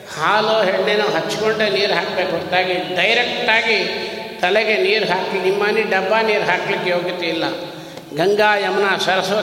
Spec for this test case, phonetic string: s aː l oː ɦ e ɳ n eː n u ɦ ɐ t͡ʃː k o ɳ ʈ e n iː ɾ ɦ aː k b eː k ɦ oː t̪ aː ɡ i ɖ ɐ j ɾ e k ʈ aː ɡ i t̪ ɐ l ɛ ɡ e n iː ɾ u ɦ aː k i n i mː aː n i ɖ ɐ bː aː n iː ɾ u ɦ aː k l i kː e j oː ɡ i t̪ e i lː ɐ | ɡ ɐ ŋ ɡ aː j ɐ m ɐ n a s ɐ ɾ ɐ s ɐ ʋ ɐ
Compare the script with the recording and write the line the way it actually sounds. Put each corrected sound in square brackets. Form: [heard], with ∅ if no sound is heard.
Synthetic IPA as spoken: [h] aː l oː ɦ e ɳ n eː n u ɦ ɐ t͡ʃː k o ɳ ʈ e n iː ɾ ɦ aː k b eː k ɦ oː t̪ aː ɡ i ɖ ɐ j ɾ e k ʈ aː ɡ i t̪ ɐ l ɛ ɡ e n iː ɾ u ɦ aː k i n i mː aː n i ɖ ɐ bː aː n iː ɾ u ɦ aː k l i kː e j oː ɡ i t̪ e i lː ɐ | ɡ ɐ ŋ ɡ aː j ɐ m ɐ n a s ɐ ɾ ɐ s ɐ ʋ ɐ